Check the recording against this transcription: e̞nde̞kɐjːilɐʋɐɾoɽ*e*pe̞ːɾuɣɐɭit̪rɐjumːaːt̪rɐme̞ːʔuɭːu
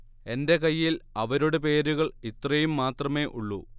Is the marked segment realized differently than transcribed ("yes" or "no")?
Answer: no